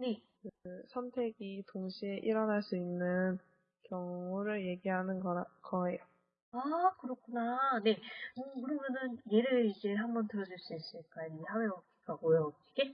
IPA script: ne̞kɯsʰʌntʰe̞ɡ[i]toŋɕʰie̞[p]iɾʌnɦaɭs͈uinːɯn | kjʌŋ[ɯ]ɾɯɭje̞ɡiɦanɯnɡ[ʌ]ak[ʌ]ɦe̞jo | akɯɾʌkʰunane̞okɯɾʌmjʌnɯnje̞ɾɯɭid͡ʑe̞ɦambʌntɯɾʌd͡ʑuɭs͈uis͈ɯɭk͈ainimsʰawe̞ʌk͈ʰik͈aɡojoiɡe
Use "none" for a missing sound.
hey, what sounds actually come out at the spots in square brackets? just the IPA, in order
i, ʔ, u, ʌ, ʌ

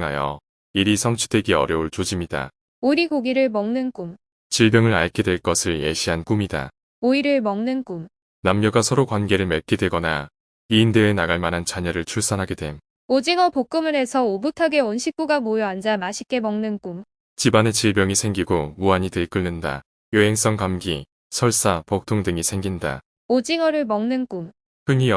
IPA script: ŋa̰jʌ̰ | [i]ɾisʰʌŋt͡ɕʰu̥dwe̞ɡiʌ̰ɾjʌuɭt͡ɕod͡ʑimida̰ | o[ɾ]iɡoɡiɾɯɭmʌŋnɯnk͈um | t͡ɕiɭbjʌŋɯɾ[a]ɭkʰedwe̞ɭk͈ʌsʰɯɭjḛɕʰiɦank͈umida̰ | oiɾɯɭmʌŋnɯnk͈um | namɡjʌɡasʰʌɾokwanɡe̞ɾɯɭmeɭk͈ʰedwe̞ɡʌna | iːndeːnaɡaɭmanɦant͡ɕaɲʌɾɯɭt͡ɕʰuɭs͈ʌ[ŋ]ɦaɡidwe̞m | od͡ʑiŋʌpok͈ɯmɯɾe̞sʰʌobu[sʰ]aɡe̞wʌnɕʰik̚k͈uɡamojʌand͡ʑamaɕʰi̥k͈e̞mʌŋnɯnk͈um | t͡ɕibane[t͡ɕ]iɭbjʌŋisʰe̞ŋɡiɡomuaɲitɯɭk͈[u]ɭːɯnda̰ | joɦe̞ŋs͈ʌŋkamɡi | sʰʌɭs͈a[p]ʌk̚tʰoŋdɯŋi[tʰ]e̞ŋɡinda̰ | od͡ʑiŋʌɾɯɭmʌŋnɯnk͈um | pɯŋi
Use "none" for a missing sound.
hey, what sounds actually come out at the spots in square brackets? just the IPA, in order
i, ɾ, a, n, tʰ, t͡ɕ, ɯ, p, sʰ

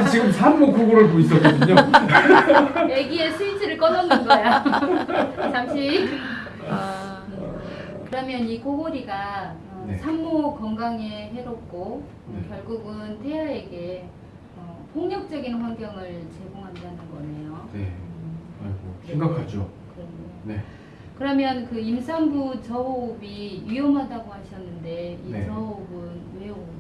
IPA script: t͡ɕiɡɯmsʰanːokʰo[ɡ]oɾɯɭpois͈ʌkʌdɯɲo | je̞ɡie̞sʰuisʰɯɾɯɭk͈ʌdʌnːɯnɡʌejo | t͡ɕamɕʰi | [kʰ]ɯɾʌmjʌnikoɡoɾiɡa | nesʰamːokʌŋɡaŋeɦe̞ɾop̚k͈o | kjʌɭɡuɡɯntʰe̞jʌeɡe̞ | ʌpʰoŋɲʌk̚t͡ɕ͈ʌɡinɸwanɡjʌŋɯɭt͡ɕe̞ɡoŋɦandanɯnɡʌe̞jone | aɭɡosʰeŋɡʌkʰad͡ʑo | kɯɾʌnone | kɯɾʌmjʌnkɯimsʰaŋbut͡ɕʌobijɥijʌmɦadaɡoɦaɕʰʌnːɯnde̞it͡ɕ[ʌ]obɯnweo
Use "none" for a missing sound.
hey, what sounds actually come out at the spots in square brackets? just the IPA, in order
ɡ, k, ʌ

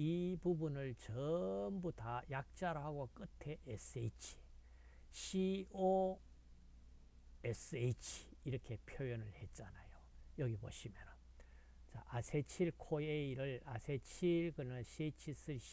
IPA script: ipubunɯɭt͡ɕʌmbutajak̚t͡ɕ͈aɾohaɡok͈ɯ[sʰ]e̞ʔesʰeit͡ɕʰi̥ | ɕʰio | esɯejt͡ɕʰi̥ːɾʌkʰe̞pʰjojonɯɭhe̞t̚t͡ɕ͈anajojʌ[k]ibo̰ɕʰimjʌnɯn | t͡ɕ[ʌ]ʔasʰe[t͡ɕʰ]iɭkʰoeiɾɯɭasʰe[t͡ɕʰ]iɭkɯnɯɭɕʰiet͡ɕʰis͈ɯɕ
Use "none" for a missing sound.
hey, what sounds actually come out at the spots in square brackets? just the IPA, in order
tʰ, ɡ, a, t͡ɕʰ, t͡ɕʰ

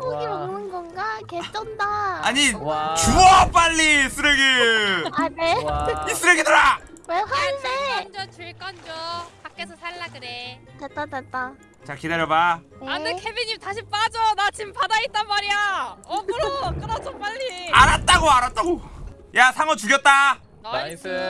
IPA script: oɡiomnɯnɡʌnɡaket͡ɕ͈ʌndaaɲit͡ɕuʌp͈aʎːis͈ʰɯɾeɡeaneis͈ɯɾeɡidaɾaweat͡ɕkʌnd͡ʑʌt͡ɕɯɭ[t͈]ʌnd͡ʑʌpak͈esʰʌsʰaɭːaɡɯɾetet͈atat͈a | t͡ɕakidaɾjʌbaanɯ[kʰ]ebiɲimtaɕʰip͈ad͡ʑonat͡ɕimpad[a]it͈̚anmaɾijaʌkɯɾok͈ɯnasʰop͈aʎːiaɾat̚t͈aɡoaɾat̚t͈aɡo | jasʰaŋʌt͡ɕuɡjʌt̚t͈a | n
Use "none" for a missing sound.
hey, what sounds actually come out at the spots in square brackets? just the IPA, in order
k͈, kʰ, a

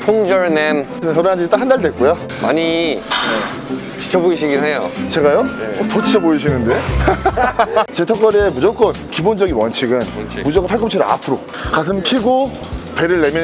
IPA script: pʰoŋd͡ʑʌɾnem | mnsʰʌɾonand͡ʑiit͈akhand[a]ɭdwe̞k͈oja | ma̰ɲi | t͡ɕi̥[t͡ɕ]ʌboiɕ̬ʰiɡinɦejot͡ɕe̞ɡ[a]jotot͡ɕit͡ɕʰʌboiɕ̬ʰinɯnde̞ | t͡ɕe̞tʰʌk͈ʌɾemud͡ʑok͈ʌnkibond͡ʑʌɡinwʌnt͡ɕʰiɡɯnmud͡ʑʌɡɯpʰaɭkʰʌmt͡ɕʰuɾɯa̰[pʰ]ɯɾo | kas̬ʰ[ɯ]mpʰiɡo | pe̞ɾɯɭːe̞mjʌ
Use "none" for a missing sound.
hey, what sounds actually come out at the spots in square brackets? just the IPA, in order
a, t͡ɕʰ, a, pʰ, ɯ

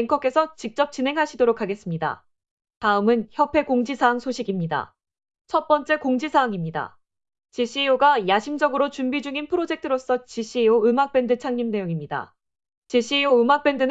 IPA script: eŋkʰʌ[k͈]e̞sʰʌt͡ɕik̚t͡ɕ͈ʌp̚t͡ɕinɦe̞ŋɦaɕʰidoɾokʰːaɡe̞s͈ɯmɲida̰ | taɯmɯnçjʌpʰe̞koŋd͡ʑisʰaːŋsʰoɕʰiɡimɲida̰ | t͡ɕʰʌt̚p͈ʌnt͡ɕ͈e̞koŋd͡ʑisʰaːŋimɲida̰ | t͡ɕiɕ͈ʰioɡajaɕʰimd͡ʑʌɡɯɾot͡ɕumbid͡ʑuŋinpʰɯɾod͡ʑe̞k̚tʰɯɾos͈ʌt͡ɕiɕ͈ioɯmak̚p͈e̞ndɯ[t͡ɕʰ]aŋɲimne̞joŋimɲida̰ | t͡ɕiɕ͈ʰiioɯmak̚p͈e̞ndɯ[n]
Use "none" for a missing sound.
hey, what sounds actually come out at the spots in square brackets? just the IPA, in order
k͈, t͡ɕʰ, n

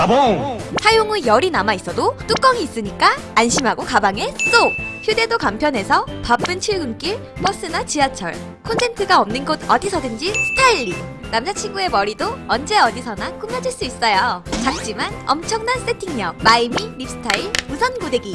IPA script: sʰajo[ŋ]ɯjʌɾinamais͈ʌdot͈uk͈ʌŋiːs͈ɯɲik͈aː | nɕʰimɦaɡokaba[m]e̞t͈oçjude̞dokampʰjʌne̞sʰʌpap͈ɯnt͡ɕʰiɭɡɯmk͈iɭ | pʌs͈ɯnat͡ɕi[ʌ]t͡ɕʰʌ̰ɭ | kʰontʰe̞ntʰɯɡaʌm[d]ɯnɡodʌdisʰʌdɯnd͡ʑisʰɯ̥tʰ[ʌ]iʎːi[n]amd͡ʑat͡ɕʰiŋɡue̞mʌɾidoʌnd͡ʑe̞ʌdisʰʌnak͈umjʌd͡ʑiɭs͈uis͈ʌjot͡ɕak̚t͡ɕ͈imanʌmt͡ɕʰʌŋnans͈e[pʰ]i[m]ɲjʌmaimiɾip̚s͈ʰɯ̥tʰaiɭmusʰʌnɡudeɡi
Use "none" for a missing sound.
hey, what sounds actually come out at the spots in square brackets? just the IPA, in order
ŋ, ŋ, a, n, a, n, tʰ, ŋ

